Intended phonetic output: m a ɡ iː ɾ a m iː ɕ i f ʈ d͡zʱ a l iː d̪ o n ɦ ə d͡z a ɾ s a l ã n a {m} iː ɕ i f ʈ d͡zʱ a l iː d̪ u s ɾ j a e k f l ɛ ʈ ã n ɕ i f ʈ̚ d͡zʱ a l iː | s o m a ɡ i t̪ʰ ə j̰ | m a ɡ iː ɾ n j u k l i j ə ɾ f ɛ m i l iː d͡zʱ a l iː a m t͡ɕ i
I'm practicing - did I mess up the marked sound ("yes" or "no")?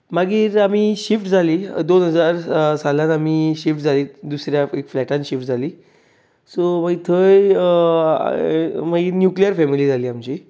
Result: no